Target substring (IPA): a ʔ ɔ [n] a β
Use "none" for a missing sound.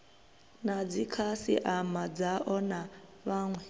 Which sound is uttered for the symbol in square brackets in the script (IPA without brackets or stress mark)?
n